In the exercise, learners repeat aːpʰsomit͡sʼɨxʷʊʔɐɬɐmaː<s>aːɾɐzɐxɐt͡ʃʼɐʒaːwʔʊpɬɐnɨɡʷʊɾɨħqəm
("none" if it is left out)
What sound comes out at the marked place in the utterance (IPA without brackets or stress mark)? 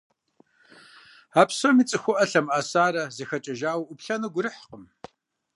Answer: s